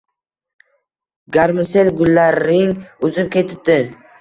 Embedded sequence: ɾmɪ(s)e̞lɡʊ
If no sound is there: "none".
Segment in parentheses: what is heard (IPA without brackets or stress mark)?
s